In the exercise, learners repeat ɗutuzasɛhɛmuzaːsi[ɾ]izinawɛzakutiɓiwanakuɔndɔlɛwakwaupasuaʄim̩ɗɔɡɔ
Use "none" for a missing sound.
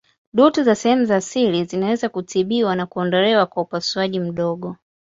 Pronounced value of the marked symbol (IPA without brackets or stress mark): l